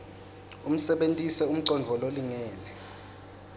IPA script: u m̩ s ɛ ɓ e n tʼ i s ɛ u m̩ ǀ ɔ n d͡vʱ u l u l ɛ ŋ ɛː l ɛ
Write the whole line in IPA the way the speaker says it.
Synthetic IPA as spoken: u m̩ s ɛ ɓ e n tʼ i s ɛ u m̩ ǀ ɔ n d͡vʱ ɔ l o l i ŋ ɛː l ɛ